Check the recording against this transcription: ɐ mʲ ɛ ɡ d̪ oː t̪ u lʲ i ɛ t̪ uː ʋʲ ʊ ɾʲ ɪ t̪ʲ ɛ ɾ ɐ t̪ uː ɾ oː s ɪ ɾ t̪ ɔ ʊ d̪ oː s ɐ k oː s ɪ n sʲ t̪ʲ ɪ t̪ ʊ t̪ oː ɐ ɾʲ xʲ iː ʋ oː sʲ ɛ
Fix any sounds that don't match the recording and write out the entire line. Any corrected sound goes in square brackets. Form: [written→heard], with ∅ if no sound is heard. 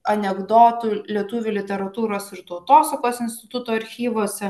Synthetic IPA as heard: ɐ [mʲ→nʲ] ɛ ɡ d̪ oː t̪ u lʲ i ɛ t̪ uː ʋʲ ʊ [ɾʲ→lʲ] ɪ t̪ʲ ɛ ɾ ɐ t̪ uː ɾ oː s ɪ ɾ t̪ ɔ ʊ [d̪→t̪] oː s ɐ k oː s ɪ n sʲ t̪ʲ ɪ t̪ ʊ t̪ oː ɐ ɾʲ xʲ iː ʋ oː sʲ ɛ